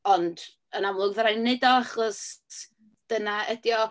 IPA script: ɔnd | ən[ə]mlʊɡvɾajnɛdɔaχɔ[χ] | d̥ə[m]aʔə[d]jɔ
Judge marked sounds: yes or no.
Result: no, no, no, yes

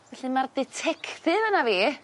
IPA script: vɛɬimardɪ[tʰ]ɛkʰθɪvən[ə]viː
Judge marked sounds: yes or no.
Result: yes, no

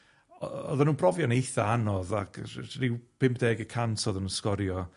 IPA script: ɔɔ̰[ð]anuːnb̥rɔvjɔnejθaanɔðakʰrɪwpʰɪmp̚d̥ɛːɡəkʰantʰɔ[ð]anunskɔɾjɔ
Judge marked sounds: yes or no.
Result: yes, yes

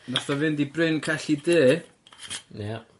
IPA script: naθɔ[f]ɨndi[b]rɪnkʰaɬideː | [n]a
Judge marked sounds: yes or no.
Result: no, yes, yes

